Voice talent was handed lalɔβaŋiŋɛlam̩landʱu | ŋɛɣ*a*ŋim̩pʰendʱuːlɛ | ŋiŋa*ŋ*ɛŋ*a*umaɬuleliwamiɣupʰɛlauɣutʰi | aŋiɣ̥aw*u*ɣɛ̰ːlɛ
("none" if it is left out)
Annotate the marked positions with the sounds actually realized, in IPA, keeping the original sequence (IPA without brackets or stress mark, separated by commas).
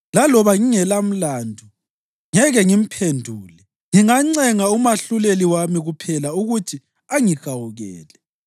ɛ, ŋ͡ǀ, a, u